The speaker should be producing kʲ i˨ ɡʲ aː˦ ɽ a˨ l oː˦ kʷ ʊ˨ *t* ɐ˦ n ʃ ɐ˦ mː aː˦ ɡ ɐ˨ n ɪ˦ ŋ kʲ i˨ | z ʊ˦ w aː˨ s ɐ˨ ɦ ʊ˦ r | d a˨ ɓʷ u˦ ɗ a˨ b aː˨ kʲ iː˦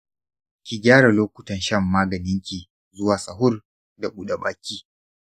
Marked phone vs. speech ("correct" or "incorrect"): correct